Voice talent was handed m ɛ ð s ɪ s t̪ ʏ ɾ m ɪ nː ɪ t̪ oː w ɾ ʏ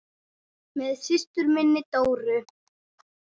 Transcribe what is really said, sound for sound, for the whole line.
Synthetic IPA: m ɛ ð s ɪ s t̪ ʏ ɾ m ɪ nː ɪ t̪ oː w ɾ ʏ